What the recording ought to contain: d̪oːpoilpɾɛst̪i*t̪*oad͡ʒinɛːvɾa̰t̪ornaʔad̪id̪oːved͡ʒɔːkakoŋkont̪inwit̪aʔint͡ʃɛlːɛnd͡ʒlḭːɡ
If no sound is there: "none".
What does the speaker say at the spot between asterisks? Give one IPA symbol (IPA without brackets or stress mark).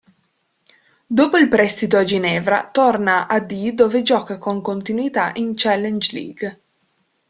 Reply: t̪